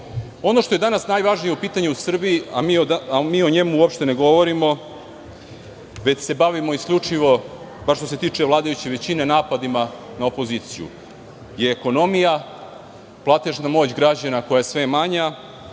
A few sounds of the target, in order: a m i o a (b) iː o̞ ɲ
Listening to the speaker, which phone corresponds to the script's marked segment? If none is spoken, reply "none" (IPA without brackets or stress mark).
m